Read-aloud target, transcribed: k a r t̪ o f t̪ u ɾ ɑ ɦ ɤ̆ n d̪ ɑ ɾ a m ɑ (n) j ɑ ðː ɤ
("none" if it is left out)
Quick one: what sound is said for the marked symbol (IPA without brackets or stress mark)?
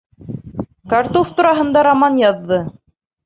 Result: n